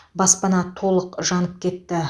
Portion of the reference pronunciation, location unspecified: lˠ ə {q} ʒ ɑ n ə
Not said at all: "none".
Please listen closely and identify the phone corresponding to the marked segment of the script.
q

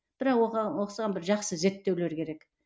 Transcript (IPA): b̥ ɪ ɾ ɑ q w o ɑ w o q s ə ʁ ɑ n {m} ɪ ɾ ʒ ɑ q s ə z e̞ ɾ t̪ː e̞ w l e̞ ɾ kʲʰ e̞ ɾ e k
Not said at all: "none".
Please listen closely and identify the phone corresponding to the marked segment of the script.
b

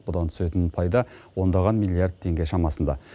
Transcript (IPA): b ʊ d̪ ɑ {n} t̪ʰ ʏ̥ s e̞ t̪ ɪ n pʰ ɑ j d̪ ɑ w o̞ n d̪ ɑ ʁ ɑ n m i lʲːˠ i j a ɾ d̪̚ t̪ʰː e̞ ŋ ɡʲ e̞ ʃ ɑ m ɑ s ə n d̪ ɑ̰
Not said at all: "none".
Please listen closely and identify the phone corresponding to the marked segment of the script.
n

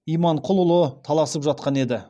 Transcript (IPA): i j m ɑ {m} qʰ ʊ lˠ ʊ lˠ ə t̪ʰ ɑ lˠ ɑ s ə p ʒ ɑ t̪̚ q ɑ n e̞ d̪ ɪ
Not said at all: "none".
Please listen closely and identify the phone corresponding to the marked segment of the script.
ɴ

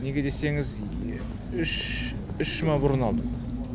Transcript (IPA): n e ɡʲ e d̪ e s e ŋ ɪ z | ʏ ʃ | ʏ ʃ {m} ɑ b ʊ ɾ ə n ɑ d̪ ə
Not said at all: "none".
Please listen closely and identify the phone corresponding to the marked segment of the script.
m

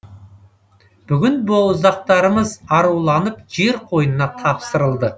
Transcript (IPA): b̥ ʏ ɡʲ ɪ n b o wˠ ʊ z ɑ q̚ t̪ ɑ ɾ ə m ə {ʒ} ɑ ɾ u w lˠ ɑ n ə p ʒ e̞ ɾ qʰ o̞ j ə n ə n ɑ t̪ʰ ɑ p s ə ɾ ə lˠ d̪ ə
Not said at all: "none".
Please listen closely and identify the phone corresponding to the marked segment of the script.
z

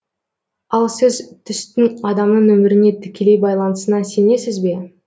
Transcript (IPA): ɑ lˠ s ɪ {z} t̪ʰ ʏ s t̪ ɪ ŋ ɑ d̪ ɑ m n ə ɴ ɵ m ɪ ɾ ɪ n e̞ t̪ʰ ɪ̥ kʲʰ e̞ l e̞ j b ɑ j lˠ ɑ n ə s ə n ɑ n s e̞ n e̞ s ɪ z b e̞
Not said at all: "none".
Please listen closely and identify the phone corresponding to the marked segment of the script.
z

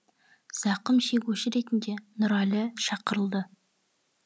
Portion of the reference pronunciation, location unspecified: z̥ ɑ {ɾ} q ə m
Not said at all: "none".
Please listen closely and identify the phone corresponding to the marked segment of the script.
none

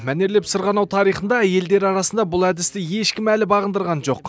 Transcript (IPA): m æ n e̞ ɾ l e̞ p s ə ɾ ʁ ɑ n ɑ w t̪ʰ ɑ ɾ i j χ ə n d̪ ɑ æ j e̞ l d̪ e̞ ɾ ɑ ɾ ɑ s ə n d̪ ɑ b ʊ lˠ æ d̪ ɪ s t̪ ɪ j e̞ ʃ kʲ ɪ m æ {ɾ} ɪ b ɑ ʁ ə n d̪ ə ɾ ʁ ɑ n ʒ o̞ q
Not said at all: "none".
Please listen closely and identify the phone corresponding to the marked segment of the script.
l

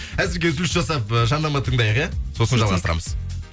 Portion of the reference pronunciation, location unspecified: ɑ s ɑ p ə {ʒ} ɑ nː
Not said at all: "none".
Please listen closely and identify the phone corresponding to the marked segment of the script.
ʒ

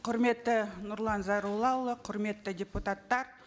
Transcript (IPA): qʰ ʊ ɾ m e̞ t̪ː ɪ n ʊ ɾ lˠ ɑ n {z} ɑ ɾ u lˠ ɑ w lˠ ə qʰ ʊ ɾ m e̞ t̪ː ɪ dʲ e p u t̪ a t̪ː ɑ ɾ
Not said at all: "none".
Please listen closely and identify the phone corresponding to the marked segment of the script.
z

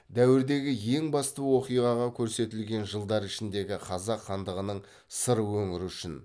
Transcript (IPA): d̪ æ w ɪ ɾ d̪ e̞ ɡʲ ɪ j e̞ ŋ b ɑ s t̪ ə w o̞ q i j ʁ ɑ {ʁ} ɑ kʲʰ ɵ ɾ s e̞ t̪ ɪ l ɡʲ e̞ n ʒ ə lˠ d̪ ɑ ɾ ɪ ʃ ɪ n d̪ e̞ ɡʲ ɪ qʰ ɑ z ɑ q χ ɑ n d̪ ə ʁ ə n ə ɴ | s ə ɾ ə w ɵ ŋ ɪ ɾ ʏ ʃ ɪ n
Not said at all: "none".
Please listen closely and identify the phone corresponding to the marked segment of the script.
ʁ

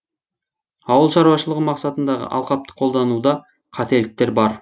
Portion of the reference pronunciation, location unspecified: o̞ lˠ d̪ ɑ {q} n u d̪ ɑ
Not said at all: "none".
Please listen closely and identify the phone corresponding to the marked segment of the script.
none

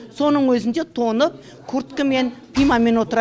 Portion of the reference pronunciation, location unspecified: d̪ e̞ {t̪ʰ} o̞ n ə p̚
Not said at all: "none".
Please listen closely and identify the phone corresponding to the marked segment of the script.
t̪ʰ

